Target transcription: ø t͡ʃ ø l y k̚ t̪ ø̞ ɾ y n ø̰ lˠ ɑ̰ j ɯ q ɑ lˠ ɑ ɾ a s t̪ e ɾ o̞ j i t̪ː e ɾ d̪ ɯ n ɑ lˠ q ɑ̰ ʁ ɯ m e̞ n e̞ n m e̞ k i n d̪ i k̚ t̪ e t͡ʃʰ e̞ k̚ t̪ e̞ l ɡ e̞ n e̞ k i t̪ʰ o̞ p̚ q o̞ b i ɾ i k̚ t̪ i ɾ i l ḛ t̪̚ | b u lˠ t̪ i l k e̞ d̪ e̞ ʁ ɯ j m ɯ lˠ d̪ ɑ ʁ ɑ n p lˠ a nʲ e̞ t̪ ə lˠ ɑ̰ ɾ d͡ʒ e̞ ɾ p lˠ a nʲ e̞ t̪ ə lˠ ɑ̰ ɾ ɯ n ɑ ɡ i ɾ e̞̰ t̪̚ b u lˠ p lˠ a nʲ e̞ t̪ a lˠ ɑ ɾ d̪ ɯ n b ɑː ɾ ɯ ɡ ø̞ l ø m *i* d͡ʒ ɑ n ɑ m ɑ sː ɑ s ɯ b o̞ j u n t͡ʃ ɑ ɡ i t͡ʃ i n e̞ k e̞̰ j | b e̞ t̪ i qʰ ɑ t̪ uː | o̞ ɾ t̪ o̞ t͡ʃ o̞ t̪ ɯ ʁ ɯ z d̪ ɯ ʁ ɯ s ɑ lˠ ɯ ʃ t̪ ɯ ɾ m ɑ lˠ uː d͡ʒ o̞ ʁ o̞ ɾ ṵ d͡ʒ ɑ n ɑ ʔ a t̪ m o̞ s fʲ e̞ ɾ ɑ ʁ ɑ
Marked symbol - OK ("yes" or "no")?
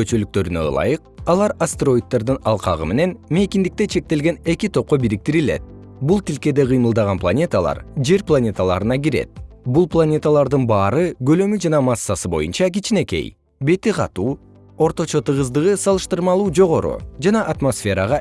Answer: no